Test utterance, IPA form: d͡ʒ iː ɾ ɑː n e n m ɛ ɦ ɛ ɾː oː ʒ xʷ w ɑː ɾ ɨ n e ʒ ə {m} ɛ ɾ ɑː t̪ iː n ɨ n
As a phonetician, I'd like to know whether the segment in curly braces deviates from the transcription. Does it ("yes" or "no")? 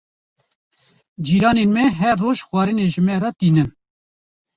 no